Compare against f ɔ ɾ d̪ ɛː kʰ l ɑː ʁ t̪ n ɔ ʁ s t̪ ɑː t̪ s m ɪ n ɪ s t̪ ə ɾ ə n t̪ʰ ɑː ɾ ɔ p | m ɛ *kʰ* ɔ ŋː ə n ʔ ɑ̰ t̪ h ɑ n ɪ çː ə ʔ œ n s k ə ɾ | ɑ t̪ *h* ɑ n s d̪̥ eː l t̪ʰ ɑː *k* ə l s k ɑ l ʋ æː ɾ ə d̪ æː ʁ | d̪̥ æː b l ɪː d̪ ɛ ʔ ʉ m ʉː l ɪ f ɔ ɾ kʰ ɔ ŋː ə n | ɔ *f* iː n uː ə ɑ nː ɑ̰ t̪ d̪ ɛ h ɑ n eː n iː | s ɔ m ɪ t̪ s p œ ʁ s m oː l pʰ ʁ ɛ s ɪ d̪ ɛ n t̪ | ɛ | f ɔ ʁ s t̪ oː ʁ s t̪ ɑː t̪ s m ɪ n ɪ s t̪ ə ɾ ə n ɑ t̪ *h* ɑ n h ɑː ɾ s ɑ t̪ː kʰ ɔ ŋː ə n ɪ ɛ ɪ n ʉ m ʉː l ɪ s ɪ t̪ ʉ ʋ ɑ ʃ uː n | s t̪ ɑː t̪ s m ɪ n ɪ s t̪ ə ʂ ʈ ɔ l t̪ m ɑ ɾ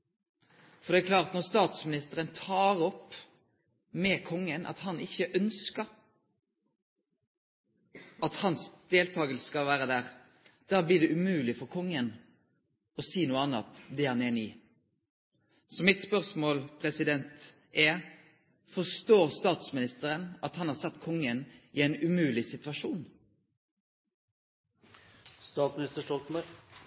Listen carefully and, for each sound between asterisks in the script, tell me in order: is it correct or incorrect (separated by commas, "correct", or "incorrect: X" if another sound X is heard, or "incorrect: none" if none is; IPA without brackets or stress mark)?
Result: correct, correct, incorrect: ɡ, incorrect: s, correct